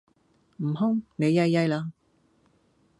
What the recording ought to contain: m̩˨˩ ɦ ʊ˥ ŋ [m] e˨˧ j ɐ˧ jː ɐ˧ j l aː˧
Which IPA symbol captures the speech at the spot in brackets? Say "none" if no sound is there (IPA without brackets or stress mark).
n